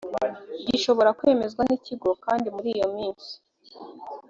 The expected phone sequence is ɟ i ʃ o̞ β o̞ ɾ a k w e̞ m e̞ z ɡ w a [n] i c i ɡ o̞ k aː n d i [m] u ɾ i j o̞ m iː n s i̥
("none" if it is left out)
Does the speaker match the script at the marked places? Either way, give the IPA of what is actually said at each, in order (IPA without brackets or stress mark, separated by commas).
n, m